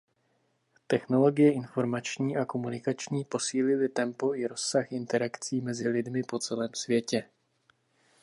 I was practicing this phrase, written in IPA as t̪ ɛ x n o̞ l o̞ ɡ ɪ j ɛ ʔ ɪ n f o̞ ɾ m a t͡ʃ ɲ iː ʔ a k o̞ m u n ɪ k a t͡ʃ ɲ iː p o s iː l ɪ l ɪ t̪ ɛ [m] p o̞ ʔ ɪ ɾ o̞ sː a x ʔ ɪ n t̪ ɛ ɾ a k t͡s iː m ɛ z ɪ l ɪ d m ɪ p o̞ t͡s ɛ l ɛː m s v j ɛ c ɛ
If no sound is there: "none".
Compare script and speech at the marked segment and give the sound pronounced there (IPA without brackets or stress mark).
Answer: m